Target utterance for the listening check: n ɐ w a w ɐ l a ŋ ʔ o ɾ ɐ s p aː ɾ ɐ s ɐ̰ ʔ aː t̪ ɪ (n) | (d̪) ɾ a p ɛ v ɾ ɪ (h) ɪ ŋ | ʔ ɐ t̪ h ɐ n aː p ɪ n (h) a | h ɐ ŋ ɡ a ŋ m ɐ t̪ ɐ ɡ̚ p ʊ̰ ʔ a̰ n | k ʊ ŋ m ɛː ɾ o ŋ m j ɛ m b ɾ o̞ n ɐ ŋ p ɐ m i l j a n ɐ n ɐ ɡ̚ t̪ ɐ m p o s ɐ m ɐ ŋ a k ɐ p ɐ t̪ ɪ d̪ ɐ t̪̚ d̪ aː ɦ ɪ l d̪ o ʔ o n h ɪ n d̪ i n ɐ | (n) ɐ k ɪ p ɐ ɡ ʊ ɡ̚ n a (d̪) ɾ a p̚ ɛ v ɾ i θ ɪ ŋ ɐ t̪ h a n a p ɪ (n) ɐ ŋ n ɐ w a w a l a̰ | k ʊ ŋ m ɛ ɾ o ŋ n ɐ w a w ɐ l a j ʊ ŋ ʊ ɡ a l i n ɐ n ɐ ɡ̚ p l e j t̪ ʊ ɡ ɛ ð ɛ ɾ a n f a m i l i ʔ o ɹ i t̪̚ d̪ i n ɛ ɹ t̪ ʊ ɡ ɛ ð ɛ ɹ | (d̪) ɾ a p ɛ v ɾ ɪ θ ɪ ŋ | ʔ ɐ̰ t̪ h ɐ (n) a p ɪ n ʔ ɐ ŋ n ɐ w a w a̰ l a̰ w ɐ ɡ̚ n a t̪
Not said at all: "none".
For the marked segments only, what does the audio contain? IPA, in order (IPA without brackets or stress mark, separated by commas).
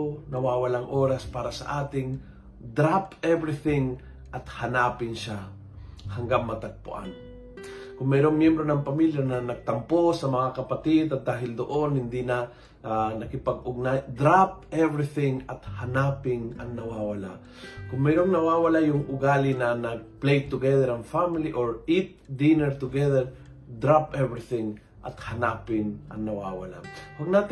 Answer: ŋ, d̪, θ, ʃ, n, d̪, ŋ, d̪, n